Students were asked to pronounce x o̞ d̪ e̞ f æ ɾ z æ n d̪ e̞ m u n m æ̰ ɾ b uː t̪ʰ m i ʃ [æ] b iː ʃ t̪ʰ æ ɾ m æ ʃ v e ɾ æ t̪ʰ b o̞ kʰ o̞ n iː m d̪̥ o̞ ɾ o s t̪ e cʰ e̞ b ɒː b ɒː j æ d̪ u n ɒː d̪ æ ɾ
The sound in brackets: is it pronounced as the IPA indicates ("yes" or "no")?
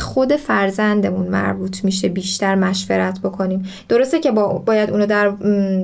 no